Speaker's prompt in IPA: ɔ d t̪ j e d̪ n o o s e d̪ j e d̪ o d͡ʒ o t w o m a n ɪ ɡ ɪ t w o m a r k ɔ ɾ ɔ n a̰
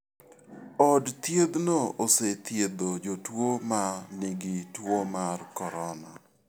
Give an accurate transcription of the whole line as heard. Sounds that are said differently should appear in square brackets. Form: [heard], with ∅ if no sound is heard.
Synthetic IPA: ɔ d t̪ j e d̪ n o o s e [t̪] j e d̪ o d͡ʒ o t w o m a n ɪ ɡ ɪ t w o m a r k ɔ ɾ ɔ n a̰